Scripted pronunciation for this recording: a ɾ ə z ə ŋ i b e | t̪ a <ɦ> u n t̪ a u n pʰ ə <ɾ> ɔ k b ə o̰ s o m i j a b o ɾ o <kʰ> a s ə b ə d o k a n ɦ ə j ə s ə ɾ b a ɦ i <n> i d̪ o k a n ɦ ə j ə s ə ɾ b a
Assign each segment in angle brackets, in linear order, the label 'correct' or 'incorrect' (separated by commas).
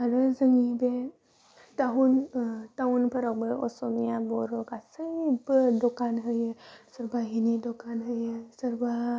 correct, correct, incorrect, correct